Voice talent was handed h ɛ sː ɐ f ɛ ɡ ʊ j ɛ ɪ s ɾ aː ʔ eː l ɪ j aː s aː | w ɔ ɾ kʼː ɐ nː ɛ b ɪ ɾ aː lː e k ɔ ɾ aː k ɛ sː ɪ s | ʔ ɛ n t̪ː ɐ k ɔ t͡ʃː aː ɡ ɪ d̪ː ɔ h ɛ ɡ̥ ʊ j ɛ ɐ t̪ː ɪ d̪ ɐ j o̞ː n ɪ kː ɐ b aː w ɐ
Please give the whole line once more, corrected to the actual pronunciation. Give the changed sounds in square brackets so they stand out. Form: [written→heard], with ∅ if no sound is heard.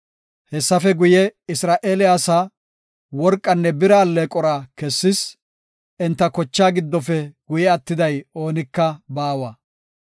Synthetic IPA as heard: h ɛ sː ɐ f ɛ ɡ ʊ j ɛ ɪ s ɾ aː ʔ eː l ɪ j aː s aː | w ɔ ɾ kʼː ɐ nː ɛ b ɪ ɾ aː lː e [k→kʼ] ɔ ɾ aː k ɛ sː ɪ s | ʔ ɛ n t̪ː ɐ k ɔ t͡ʃː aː ɡ ɪ d̪ː ɔ [h→f] ɛ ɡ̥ ʊ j ɛ ɐ t̪ː ɪ d̪ ɐ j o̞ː n ɪ kː ɐ b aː w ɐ